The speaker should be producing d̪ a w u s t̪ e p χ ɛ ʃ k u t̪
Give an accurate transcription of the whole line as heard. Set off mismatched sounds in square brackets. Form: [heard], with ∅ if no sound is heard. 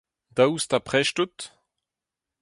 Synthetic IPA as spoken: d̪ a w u s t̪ [a] p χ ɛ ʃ [t] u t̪